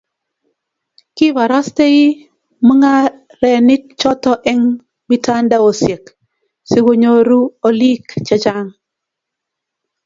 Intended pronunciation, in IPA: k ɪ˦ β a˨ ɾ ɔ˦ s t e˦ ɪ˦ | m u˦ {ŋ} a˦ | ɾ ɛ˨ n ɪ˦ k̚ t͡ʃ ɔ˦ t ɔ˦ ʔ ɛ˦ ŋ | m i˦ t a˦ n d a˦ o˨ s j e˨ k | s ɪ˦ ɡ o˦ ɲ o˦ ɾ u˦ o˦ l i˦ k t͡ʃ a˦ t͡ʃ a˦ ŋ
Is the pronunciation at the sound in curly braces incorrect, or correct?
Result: correct